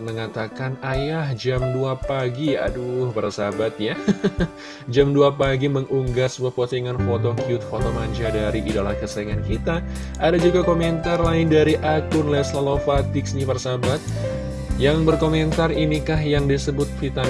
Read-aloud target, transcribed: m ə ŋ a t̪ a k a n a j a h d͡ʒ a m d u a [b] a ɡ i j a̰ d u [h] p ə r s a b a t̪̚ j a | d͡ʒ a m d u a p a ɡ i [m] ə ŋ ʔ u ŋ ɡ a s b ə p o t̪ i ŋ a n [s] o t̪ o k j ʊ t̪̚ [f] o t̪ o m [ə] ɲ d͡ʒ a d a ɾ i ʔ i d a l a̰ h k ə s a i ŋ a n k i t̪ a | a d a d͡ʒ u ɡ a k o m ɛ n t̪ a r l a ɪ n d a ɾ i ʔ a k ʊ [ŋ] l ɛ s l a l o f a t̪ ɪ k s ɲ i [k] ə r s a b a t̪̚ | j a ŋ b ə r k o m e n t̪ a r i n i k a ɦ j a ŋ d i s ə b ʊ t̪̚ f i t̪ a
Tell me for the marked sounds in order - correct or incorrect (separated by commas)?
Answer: incorrect, correct, correct, incorrect, correct, incorrect, incorrect, incorrect